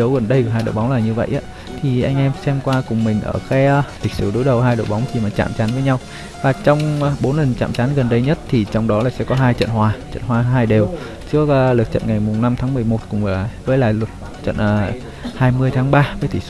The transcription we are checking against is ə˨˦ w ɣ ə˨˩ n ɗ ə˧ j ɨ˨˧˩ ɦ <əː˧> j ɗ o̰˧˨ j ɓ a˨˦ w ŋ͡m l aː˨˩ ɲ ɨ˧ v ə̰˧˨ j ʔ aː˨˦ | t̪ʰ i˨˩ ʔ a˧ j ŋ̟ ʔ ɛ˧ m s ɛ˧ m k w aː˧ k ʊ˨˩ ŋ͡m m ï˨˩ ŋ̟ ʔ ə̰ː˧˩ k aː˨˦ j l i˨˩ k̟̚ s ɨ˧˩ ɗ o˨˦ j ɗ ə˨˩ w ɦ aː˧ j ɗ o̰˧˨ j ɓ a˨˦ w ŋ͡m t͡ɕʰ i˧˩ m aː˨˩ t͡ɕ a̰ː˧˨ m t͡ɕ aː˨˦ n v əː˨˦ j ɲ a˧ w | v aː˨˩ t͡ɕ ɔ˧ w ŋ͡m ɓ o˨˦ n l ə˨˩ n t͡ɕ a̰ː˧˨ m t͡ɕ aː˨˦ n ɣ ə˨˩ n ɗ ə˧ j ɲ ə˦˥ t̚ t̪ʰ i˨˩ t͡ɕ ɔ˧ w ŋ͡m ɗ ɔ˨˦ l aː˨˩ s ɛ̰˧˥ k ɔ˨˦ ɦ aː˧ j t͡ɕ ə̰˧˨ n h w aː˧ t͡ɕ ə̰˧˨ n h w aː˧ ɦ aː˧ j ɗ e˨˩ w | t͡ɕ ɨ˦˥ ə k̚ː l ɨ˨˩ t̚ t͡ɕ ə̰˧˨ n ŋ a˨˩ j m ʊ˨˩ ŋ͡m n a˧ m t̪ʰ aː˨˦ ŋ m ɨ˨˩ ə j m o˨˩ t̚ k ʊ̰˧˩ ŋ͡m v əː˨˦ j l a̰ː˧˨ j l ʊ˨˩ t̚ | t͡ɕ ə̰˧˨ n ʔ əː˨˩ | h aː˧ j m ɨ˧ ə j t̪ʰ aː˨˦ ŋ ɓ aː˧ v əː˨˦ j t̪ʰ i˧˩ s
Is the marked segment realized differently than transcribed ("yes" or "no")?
yes